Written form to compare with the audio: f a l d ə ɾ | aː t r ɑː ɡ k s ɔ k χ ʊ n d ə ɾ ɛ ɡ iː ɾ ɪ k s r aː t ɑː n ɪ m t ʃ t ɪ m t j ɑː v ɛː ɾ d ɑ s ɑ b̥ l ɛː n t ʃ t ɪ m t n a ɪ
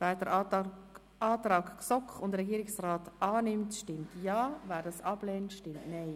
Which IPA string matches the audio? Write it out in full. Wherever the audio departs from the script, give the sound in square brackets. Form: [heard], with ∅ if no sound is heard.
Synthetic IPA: [v] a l d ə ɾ | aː t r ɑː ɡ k s ɔ k χ ʊ n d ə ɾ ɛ ɡ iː ɾ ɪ k s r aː t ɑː n ɪ m t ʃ t ɪ m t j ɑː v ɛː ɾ d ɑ s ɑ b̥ l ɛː n t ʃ t ɪ m t n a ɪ